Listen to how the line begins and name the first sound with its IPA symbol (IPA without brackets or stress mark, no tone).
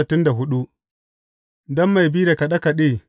t